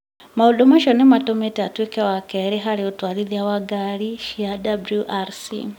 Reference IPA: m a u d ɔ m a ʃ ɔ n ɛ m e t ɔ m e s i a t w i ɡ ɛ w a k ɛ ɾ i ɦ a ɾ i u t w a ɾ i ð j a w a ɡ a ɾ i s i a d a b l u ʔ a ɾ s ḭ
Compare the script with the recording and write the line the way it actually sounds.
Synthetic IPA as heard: m a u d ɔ m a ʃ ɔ n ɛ m a t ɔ m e t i a t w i k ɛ w a k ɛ ɾ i ɦ a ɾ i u t w a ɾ i ð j a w a ɡ a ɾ i ʃ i a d a b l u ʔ a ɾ s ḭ